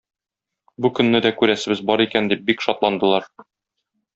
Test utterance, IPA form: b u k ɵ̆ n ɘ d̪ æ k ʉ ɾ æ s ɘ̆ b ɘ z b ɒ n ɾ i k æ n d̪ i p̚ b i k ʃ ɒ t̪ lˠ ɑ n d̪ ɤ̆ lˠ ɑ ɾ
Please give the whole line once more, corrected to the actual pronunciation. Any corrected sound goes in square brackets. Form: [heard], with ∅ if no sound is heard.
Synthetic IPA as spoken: b u k ɵ̆ [nː] ɘ d̪ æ k ʉ ɾ æ s ɘ̆ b ɘ z b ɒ [∅] ɾ i k æ n d̪ i p̚ b i k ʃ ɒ t̪ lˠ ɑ n d̪ ɤ̆ lˠ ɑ ɾ